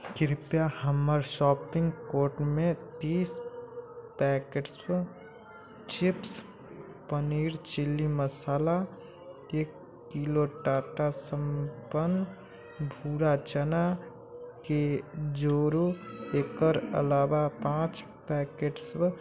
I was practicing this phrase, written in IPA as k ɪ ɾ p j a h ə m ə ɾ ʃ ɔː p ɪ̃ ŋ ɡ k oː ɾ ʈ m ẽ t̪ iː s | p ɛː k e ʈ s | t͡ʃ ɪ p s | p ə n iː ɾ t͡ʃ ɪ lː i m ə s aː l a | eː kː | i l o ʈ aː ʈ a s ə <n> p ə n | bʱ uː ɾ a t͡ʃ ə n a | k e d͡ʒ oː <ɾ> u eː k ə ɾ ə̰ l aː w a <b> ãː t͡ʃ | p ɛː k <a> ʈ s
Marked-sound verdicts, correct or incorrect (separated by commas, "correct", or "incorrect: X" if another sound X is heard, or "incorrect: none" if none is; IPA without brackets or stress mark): incorrect: m, correct, incorrect: p, incorrect: e